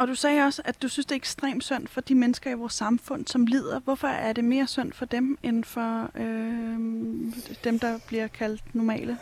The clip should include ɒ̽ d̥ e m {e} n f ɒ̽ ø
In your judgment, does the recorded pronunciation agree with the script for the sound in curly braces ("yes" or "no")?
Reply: yes